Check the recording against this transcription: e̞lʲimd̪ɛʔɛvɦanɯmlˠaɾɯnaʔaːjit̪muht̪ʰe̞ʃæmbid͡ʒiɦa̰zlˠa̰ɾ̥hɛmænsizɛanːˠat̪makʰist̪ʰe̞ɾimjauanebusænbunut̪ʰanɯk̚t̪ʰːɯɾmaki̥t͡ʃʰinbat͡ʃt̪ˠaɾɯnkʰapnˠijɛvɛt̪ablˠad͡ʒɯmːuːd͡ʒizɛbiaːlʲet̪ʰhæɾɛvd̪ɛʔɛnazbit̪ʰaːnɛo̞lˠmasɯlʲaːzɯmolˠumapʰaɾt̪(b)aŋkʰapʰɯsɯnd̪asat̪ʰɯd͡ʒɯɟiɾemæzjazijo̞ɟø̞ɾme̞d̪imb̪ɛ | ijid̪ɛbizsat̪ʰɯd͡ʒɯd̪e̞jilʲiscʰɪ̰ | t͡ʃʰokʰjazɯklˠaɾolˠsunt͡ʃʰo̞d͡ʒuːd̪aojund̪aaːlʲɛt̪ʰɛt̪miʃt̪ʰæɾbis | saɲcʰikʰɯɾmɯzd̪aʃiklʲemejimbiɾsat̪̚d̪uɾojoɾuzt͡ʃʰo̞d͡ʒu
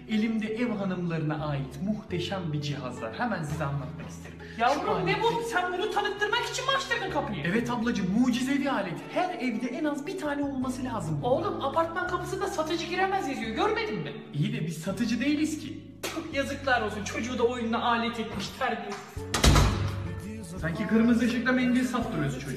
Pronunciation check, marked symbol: incorrect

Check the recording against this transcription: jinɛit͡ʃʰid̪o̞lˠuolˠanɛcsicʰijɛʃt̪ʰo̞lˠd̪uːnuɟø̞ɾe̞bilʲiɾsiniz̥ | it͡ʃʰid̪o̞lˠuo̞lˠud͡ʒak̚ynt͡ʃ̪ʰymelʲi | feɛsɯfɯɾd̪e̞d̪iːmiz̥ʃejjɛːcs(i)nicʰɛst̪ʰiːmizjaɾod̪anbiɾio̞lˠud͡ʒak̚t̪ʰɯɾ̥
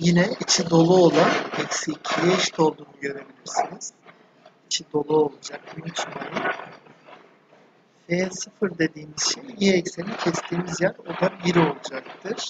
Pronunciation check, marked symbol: incorrect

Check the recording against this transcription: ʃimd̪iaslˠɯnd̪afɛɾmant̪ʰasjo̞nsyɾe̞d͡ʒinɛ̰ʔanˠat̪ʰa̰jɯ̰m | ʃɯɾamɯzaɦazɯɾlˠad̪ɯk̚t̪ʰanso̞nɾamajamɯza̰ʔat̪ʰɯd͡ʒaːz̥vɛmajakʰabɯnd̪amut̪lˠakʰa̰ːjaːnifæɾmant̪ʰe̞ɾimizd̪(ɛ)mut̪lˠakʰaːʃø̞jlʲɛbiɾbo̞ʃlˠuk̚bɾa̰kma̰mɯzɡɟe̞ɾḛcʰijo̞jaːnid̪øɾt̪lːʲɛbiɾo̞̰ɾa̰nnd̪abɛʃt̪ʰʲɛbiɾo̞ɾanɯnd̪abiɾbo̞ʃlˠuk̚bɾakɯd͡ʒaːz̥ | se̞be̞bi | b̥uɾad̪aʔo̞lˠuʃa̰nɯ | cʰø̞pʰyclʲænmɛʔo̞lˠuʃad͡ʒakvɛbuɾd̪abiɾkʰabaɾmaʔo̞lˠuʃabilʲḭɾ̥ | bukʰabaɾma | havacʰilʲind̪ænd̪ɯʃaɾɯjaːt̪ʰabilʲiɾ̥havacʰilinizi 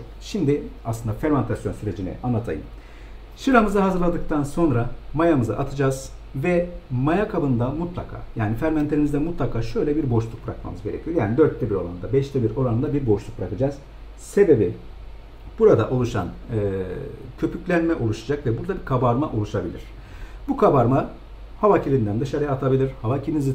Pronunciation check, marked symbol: correct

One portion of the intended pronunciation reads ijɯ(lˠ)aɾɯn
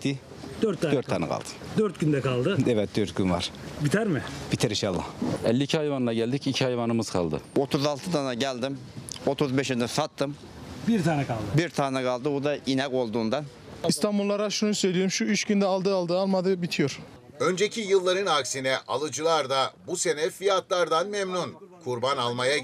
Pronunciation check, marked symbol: incorrect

